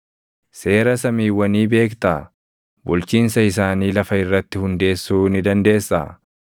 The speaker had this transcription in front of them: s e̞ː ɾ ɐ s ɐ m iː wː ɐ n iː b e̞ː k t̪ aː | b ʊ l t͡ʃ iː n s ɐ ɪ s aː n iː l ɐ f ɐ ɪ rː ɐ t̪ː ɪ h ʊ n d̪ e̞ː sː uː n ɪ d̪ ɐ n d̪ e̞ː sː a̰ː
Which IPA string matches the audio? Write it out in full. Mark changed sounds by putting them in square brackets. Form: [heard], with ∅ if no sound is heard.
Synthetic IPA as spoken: s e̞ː ɾ ɐ s ɐ m iː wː ɐ n iː b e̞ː k t̪ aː | b ʊ l t͡ʃ iː n s ɐ ɪ s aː n iː l ɐ f ɐ ɪ rː ɐ t̪ː ɪ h ʊ n d̪ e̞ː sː uː n ɪ d̪ ɐ n d̪ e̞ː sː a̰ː